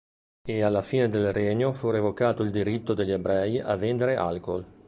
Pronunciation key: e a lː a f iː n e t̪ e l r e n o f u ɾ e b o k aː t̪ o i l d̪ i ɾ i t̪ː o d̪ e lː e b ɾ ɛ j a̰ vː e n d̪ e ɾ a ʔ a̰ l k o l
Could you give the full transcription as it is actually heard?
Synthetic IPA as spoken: e a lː a f iː n e d̪ e l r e ɲ o f u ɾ e v o k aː t̪ o i l d̪ i ɾ i t̪ː o d̪ e ʎː e b ɾ ɛ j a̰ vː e n d̪ e ɾ e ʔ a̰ l k o l

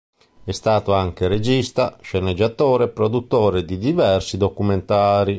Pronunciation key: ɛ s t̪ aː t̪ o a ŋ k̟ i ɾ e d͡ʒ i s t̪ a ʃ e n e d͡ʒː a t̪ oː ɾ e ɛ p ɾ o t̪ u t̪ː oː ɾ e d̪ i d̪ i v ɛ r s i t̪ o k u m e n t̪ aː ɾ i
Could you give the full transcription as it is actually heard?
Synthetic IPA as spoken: ɛ s t̪ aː t̪ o a ŋ k̟ e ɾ e d͡ʒ i s t̪ a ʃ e n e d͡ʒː a t̪ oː ɾ e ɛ p ɾ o d̪ u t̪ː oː ɾ e d̪ i d̪ i v ɛ r s i d̪ o k u m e n t̪ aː ɾ i

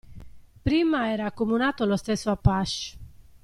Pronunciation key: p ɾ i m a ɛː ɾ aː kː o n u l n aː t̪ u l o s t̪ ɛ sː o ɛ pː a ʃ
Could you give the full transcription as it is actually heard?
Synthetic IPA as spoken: p ɾ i m a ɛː ɾ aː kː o m u n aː t̪ o l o s t̪ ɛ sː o a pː a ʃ

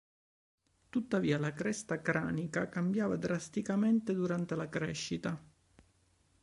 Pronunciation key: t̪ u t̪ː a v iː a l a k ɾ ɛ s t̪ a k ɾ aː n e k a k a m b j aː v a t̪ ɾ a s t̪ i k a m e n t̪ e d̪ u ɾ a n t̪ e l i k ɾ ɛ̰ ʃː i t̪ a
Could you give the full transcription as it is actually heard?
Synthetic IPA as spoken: t̪ u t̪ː a v iː a l a k ɾ ɛ s t̪ a k ɾ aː n i k a k a m b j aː v a d̪ ɾ a s t̪ i k a m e n t̪ e d̪ u ɾ a n t̪ e l a k ɾ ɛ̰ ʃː i t̪ a

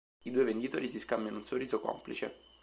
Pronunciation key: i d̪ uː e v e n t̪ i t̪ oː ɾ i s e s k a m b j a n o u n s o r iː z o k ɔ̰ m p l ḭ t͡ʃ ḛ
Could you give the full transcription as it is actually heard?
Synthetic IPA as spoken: i d̪ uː e v e n d̪ i t̪ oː ɾ i s i s k a m b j a n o u n s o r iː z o k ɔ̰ m p l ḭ t͡ʃ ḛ

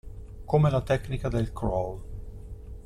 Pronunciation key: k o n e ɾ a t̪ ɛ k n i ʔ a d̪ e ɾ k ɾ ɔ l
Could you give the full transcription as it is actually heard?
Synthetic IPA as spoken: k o m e l a t̪ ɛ k n i k a d̪ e l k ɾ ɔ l

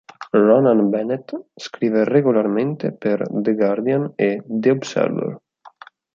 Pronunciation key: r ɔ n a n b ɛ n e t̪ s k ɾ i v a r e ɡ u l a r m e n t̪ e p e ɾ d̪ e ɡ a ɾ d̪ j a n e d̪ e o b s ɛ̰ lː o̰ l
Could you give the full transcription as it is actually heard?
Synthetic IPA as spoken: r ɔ n a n b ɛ n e t̪ s k ɾ i v e r e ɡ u l a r m e n t̪ e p e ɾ d̪ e ɡ a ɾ d̪ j a n e d̪ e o b s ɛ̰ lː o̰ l

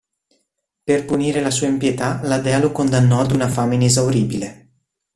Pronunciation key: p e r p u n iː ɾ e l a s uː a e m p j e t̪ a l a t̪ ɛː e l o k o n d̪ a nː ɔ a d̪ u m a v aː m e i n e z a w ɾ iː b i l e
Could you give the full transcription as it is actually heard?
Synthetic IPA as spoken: p e r p u n iː ɾ e l a s uː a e m p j e t̪ a l a d̪ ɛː a l o k o n d̪ a nː ɔ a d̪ u n a f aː m e i n e z a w ɾ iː b i l e

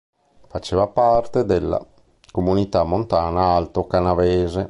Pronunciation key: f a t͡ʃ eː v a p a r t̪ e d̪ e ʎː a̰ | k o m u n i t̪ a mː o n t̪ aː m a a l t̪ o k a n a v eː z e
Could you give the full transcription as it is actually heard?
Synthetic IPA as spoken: f a t͡ʃ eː v a p a r t̪ e d̪ e lː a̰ | k o m u n i t̪ a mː o n t̪ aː n a a l t̪ o k a n a v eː z e

